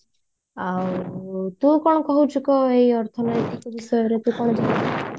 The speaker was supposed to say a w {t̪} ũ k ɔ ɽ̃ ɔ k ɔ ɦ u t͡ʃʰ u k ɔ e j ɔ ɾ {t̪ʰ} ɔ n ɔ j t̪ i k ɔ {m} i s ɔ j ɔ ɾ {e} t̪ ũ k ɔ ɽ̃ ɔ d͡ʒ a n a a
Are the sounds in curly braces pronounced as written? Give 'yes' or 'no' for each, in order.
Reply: yes, yes, no, yes

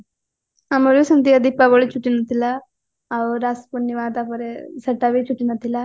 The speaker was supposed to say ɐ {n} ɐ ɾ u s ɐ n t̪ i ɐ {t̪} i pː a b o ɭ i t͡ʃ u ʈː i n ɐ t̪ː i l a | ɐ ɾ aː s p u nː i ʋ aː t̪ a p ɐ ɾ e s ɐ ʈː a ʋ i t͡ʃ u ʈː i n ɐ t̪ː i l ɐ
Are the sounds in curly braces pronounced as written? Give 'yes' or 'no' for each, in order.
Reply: no, no

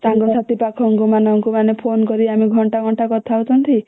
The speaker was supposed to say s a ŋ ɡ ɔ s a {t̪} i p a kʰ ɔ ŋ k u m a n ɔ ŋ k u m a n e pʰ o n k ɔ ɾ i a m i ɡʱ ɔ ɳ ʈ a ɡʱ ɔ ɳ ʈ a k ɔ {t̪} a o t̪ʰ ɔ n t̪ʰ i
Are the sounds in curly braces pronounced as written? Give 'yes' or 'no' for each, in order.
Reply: yes, no

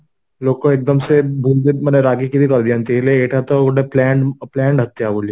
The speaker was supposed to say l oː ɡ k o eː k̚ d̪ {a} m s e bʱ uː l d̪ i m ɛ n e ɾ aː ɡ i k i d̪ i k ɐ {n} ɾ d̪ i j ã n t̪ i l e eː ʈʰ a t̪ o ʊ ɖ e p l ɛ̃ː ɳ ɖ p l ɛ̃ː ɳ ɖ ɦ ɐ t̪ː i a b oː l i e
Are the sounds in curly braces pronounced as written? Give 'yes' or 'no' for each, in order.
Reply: no, no

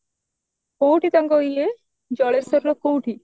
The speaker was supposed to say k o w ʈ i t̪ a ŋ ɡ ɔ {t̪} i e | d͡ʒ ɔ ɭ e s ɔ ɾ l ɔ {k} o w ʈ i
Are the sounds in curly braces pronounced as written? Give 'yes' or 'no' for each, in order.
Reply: no, yes

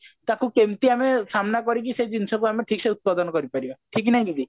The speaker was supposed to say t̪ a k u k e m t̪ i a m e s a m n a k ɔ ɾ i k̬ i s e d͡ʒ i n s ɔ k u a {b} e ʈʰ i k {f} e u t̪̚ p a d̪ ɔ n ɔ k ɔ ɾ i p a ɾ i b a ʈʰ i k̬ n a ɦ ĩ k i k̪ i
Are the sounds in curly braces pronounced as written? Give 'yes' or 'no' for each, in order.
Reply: no, no

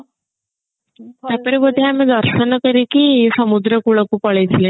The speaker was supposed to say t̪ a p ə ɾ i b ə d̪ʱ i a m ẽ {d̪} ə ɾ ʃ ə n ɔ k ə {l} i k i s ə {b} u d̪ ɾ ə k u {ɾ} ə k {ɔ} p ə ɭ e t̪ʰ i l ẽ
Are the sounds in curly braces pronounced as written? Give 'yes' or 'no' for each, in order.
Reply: yes, no, no, no, no

